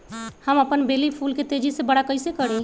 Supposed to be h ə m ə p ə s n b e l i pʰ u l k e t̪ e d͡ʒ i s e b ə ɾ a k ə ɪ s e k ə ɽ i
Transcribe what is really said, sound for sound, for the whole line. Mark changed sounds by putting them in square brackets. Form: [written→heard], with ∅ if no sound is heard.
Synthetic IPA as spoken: h ə m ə p ə [s→∅] n b e l i pʰ u l k e t̪ e d͡ʒ i s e b ə [ɾ→ɽ] a k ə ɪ s e k ə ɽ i